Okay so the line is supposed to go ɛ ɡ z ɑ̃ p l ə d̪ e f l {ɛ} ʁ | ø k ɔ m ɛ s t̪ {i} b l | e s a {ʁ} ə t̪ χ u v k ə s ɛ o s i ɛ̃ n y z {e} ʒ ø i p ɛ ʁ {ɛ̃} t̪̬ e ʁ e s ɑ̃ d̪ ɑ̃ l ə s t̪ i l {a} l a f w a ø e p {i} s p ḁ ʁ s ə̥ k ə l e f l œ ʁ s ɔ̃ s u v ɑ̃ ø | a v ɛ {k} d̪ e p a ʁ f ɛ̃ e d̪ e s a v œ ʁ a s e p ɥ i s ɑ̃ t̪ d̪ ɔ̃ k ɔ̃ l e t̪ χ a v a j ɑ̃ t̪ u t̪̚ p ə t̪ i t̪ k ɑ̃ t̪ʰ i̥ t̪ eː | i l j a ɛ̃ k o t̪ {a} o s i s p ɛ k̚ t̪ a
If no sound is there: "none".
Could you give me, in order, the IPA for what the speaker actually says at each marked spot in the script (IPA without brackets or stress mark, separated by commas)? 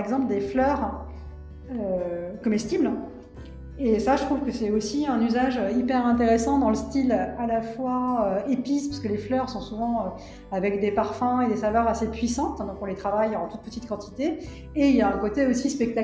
œ, i, ʒ, a, ɛ̃, a, i, k, e